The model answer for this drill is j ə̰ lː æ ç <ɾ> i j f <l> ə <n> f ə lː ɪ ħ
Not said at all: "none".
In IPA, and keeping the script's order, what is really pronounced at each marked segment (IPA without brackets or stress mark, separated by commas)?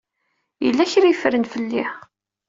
ɾ, ɾ, n